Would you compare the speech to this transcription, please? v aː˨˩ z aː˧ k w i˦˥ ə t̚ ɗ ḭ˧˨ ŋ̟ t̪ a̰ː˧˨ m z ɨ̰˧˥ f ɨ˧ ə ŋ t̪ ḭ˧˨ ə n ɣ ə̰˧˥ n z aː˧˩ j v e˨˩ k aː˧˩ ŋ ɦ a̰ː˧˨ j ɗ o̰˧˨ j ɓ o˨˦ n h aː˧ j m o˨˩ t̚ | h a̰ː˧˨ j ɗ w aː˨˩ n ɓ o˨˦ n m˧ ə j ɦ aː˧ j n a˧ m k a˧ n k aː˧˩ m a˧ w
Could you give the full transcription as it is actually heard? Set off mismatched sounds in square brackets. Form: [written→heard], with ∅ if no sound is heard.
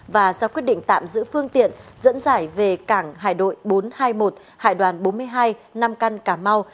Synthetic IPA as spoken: v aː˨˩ z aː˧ k w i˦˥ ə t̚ ɗ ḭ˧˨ ŋ̟ t̪ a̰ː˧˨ m z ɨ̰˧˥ f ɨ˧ ə ŋ t̪ ḭ˧˨ ə n [ɣ→z] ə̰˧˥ n z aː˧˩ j v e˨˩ k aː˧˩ ŋ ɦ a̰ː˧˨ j ɗ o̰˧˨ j ɓ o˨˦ n h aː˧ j m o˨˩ t̚ | h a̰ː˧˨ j ɗ w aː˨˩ n ɓ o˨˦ n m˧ ə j ɦ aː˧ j n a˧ m k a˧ n k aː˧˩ m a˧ w